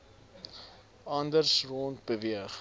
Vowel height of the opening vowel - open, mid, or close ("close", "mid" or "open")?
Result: open